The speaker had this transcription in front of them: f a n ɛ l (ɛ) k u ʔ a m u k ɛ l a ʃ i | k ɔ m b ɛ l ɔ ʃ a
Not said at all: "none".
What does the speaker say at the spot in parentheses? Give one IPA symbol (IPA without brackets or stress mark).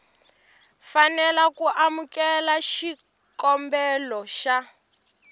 a